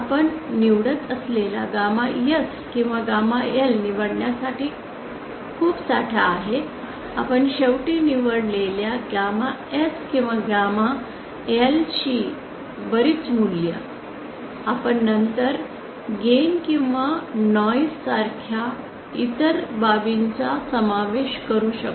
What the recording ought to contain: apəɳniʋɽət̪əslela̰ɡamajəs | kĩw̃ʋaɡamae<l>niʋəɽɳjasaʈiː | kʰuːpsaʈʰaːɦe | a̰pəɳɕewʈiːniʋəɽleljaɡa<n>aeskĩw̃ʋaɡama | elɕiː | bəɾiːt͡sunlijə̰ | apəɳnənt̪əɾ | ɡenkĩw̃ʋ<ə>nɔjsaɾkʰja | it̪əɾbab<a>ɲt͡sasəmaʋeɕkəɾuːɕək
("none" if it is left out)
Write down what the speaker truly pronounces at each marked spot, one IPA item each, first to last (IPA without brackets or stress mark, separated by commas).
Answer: l, m, a, i